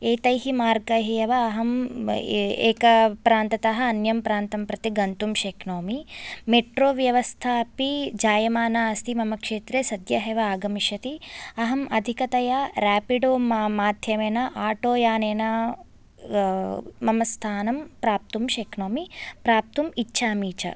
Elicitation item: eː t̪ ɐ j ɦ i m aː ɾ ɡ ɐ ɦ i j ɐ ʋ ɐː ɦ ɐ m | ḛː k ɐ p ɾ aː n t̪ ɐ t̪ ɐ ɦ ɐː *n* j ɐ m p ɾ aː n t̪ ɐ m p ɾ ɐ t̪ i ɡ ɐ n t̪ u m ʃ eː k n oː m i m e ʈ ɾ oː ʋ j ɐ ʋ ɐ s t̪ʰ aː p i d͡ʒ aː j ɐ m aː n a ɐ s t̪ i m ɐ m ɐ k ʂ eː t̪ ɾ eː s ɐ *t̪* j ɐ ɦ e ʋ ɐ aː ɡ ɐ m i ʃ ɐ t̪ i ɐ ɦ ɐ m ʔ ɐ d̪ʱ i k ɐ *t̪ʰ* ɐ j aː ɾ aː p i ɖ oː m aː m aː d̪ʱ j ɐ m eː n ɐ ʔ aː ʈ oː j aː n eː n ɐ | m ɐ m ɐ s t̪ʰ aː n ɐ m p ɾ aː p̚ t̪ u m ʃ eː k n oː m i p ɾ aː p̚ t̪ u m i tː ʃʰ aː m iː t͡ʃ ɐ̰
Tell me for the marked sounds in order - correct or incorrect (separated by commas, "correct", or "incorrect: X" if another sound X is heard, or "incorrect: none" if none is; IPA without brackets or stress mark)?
correct, incorrect: d̪, incorrect: t̪